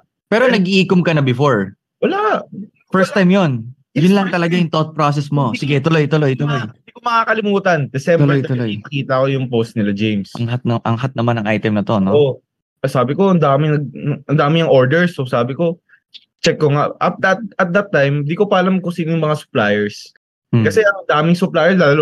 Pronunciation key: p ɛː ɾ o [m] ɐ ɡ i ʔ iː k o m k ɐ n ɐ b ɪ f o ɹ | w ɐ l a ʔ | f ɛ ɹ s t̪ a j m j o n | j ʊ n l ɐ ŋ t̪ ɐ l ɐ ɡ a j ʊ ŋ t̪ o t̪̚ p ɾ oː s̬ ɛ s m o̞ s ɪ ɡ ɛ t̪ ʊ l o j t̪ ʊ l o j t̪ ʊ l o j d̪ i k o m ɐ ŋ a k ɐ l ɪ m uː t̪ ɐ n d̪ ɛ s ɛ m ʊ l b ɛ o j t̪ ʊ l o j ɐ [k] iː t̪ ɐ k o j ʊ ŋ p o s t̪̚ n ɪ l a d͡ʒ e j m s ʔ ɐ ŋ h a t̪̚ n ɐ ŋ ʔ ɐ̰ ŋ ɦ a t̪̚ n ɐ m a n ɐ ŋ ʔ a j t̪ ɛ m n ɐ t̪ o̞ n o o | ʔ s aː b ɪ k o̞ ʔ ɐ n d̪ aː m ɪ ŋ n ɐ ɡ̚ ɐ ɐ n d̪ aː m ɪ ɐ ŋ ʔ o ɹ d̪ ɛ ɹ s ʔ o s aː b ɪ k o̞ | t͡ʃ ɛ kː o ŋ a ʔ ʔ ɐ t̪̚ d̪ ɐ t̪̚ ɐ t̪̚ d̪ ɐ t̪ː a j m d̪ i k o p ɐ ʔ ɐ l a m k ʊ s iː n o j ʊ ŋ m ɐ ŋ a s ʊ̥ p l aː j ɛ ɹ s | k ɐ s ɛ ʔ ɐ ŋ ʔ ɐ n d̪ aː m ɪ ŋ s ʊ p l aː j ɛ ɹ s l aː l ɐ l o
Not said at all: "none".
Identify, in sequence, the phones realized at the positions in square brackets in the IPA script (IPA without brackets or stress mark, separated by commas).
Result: n, k